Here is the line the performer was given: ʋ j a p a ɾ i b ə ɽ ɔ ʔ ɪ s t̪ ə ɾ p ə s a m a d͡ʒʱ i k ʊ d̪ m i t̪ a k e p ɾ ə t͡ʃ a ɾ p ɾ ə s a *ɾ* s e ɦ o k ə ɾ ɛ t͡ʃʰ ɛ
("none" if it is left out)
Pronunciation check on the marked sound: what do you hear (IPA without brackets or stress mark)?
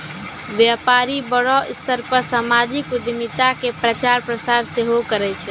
ɾ